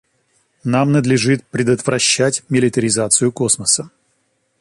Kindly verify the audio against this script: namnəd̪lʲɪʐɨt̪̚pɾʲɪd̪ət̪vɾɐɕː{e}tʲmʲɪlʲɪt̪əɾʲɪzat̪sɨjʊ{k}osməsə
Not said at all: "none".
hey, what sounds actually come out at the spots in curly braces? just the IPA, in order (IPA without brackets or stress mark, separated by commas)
æ, k